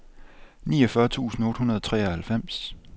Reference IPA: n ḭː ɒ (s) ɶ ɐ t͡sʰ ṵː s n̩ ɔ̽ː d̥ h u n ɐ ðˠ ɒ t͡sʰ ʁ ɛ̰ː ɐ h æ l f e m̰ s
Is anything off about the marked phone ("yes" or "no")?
yes